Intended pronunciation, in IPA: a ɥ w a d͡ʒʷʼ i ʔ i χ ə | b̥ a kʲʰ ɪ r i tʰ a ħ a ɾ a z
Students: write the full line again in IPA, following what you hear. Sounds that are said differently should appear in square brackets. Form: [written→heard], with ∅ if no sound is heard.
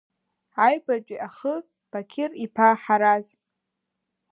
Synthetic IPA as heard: a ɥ [w→b] a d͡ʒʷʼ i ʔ [i→a] χ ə | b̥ a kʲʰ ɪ r i [tʰ→pʰ] a ħ a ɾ a z